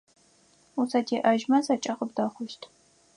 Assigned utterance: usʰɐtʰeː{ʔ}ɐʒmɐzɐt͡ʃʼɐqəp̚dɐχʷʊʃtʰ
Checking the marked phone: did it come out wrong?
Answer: no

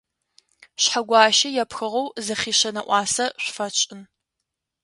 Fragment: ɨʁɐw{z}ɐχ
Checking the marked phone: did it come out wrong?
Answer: no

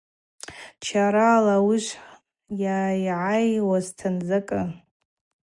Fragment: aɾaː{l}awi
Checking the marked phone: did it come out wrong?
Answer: no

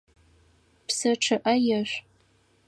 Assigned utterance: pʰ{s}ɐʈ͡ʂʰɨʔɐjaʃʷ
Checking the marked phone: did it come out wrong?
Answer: no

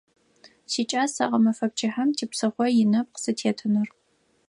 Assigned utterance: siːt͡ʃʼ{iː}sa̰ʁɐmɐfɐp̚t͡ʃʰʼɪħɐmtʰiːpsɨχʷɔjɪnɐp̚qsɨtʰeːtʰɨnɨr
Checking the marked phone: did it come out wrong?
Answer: yes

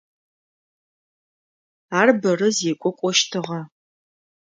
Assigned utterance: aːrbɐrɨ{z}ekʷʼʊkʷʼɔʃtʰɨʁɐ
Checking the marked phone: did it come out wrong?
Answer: no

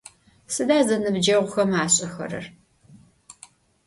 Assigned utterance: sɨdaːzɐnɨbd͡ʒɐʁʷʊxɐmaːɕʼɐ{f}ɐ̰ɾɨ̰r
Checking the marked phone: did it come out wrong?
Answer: yes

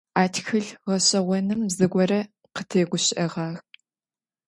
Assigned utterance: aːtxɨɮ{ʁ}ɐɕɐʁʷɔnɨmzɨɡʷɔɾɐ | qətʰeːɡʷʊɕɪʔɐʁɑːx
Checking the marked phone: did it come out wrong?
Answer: no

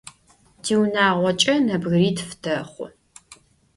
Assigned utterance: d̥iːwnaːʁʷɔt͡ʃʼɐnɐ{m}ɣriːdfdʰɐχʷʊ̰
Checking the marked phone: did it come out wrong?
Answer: yes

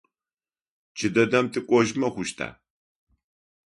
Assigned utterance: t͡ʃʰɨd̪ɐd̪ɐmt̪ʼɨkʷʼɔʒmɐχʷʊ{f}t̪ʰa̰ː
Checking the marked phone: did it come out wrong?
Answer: yes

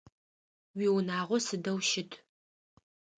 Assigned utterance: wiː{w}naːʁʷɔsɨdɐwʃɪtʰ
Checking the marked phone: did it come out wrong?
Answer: no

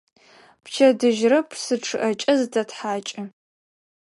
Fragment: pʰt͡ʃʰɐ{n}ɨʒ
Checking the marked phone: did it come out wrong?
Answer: yes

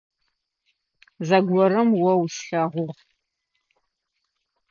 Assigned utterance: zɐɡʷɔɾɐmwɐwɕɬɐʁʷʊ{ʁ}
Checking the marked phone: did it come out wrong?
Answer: no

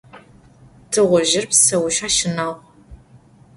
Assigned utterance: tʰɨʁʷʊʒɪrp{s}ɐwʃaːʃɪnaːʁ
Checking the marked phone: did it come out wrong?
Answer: no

